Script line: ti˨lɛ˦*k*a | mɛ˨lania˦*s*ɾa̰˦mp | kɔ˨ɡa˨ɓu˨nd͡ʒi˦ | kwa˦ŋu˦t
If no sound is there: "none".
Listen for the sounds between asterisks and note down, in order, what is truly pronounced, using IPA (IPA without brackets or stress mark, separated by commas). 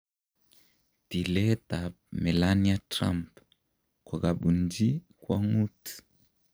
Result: t, t